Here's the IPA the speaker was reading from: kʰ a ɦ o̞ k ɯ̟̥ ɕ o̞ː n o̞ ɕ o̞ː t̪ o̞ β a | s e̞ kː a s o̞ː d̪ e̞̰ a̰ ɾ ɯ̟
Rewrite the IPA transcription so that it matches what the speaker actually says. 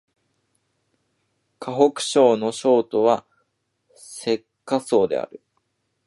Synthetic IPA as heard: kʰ a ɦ o̞ k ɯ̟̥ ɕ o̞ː n o̞ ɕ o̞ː t̪ o̞ β a | s e̞ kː a s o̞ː d̪ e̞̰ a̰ ɾ ɯ̟